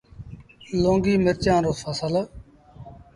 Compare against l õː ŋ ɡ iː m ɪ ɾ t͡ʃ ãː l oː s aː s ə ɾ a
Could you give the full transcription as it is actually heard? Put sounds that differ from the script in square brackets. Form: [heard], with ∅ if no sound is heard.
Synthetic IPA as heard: l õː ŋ ɡ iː m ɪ ɾ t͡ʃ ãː [ɾ] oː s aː s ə [l] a